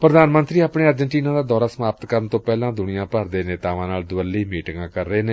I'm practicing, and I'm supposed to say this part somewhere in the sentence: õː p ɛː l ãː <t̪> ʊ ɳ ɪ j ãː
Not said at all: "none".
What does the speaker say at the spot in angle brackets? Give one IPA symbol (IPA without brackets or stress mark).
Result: d̪